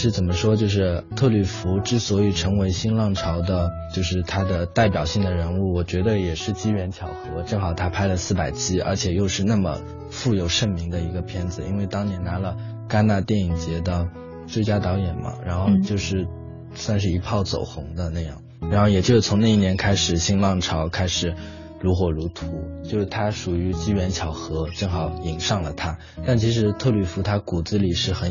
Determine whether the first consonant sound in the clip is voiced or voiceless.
voiceless